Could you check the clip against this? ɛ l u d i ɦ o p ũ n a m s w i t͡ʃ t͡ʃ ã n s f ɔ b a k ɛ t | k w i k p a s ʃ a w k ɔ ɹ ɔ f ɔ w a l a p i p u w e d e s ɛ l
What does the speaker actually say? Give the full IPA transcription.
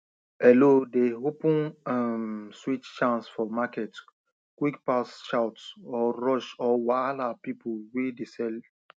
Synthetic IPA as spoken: ɛ l o d e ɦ o p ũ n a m s w i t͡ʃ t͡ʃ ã n s f ɔ m a k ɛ t | k w i k p a s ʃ a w t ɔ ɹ ɔ ʃ ɔ w a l a p i p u w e d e s ɛ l

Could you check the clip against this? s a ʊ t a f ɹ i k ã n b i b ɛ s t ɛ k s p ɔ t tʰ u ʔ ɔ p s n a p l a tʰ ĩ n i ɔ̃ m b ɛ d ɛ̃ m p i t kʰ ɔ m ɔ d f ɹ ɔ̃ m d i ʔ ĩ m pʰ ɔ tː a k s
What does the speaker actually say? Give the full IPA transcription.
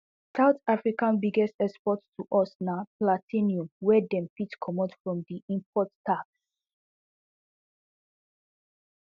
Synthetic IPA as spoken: s a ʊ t a f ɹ i k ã n b i ɡ ɛ s t ɛ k s p ɔ t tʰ u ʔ ɔ s n a p l a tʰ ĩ n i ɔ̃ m w ɛ d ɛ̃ m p i t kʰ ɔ m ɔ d f ɹ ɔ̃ m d i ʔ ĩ m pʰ ɔ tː a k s

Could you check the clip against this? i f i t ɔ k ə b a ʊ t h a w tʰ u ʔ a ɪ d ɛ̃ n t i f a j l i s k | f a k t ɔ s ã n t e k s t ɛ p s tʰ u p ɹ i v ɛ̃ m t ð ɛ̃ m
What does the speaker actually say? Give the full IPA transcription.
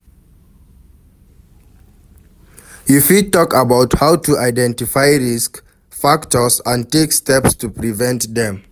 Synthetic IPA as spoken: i f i t ɔ k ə b a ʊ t h a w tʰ u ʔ a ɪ d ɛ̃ n t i f a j ɹ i s k | f a k t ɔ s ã n t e k s t ɛ p s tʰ u p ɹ i v ɛ̃ n t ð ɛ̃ m

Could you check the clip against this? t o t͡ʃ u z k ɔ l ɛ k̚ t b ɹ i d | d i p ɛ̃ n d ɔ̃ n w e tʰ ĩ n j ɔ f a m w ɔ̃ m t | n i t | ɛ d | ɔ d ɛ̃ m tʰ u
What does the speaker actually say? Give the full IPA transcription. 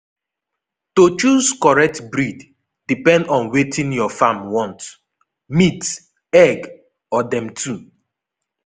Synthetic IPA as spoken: t o t͡ʃ u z k ɔ ɹ ɛ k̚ t b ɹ i d | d i p ɛ̃ n d ɔ̃ n w e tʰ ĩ n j ɔ f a m w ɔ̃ n t | m i t | ɛ ɡ | ɔ d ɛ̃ m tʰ u

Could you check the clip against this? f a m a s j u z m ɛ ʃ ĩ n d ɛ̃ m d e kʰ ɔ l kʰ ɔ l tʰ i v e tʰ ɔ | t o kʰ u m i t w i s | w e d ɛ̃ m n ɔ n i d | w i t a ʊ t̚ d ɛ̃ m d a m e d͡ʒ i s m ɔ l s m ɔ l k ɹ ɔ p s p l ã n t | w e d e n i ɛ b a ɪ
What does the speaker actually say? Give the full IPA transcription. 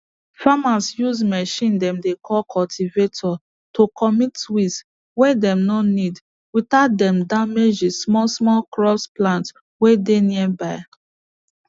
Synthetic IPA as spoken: f a m a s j u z m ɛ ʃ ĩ n d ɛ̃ m d e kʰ ɔ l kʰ ɔ l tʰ i v e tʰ ɔ | t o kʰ ɔ m i t w i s | w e d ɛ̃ m n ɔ n i d | w i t a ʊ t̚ d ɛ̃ m d a m e d͡ʒ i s m ɔ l s m ɔ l k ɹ ɔ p s p l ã n t | w e d e n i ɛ b a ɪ

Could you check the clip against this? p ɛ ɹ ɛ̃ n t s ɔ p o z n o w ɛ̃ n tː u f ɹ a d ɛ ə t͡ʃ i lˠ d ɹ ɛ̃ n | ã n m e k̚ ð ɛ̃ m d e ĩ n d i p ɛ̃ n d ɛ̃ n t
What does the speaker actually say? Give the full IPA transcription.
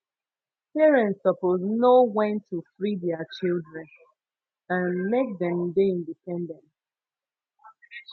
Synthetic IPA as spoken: p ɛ ɹ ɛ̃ n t s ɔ p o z n o w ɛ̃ n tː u f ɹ i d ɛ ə t͡ʃ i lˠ d ɹ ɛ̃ n | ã n m e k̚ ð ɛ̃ m d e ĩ n d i p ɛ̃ n d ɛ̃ n t

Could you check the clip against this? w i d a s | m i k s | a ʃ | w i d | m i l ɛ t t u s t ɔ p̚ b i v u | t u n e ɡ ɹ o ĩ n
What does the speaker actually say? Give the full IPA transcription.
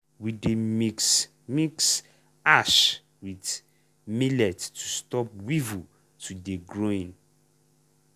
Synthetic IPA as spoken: w i d e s | m i k s | a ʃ | w i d | m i l ɛ t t u s t ɔ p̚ w i v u | t u d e ɡ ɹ o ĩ n

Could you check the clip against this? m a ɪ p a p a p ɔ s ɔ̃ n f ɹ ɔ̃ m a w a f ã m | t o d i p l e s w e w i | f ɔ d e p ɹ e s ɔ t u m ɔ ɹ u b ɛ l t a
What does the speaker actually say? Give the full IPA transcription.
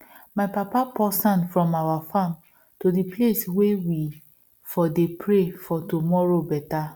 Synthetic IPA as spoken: m a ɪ p a p a p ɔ s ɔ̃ n f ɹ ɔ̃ m a w a f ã m | t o d i p l e s w e w i | f ɔ d e p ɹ e f ɔ t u m ɔ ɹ o b ɛ t a

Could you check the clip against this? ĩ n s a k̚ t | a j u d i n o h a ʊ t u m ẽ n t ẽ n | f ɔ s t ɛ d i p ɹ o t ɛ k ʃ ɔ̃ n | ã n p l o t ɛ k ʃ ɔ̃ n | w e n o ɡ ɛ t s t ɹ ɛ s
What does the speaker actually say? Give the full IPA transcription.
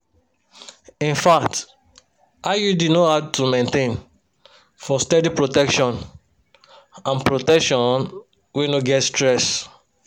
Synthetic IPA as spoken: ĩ n f a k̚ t | a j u d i n o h a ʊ t u m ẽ n t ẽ n | f ɔ s t ɛ d i p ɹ o t ɛ k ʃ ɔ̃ n | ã n p ɹ o t ɛ k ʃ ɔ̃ n | w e n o ɡ ɛ t s t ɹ ɛ s

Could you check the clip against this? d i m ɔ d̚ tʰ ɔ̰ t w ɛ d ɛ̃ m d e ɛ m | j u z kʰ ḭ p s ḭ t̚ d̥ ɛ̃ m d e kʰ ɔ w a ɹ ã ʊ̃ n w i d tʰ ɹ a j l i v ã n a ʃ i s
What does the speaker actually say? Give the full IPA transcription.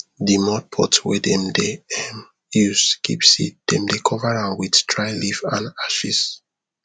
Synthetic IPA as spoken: d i m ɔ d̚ pʰ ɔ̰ t w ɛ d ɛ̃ m d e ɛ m | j u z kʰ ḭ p s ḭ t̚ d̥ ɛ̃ m d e kʰ ɔ v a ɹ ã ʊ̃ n w i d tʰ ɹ a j l i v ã n a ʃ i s

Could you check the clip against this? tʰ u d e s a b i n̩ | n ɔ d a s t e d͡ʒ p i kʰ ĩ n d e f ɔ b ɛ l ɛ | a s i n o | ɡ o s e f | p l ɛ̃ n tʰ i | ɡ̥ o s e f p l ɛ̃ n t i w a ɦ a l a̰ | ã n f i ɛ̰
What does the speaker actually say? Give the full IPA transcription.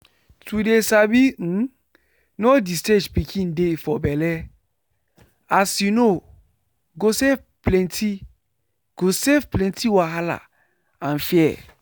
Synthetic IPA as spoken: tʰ u d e s a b i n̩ | n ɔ d i s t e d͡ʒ p i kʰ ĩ n d e f ɔ b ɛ l ɛ | a s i n o | ɡ o s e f | p l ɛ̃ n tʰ i | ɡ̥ o s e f p l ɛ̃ n t i w a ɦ a l a̰ | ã n f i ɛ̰

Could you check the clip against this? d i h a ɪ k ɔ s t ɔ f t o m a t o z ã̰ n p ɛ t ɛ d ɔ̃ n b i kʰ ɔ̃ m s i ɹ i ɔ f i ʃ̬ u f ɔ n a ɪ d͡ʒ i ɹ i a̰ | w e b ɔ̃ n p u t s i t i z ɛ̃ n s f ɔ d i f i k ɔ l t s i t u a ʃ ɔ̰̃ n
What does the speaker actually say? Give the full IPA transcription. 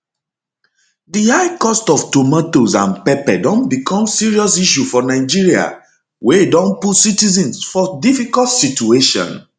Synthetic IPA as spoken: d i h a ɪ k ɔ s t ɔ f t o m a t o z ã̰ n p ɛ p ɛ d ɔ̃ n b i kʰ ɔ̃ m s i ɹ i ɔ s i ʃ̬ u f ɔ n a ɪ d͡ʒ i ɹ i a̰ | w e d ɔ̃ n p u t s i t i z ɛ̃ n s f ɔ d i f i k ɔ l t s i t u e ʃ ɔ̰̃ n

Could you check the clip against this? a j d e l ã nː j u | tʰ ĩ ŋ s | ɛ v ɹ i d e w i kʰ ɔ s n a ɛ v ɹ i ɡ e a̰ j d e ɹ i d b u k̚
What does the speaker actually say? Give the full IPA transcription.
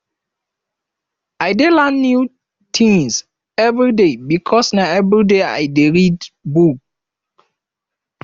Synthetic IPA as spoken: a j d e l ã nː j u | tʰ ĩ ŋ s | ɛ v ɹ i d e b i kʰ ɔ s n a ɛ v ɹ i d e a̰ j d e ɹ i d b u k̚

